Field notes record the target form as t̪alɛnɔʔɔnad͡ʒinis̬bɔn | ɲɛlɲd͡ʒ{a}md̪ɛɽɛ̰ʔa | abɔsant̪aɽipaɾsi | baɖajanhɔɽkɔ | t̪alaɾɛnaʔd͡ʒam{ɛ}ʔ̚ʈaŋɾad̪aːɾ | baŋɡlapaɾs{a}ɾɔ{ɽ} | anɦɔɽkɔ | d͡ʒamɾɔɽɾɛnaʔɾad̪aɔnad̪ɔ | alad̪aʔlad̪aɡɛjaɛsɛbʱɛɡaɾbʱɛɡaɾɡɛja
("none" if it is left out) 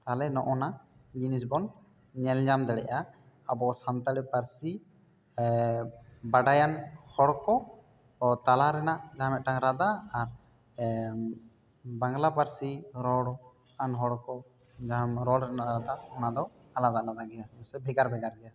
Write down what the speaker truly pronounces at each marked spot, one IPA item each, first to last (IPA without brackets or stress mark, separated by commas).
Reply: a, ɛ, i, ɽ